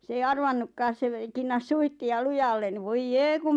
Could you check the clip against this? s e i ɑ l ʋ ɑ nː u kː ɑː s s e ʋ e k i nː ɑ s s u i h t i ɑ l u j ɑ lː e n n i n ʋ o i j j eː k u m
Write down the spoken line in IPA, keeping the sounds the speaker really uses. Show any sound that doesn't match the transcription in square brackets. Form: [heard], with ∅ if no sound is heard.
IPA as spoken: s e i ɑ [r] ʋ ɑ nː u kː ɑː s s e ʋ e k i nː ɑ s s u i h t i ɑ l u j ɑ lː e n n i [∅] ʋ o i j j eː k u m